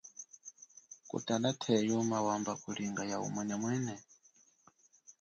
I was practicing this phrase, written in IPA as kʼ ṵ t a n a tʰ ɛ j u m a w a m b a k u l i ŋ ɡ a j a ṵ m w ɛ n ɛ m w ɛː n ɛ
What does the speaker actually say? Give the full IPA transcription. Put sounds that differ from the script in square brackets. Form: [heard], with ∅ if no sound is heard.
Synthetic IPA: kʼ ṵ t a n a tʰ ɛ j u m a w a m b a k u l i ŋ ɡ a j a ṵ m w ɛ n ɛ m w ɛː n ɛ